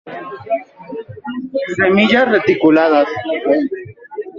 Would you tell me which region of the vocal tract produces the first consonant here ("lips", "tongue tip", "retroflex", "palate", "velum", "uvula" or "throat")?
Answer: tongue tip